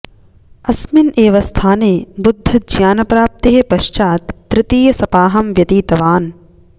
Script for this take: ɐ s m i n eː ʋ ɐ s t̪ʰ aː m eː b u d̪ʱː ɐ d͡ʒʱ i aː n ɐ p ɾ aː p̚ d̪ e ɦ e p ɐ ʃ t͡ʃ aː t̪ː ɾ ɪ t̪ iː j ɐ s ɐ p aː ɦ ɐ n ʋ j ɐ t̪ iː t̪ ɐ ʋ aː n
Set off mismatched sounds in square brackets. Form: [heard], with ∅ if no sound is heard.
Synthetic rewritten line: ɐ s m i n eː ʋ ɐ s t̪ʰ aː [n] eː b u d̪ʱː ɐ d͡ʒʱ [j] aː n ɐ p ɾ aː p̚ [t̪] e ɦ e p ɐ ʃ t͡ʃ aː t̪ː ɾ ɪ t̪ iː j ɐ s ɐ p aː ɦ ɐ [m] ʋ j ɐ t̪ iː t̪ ɐ ʋ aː n